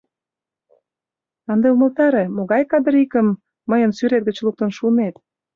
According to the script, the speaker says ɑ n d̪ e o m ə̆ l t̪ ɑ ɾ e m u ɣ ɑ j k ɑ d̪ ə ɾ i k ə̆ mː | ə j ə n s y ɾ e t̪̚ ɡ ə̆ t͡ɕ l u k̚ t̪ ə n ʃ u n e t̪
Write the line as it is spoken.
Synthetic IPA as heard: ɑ n d̪ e u m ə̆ l t̪ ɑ ɾ e m o ɣ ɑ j k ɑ d̪ ə ɾ i k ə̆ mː | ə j ə n s y ɾ e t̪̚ ɡ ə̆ t͡ɕ l u k̚ t̪ ə n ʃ u n e t̪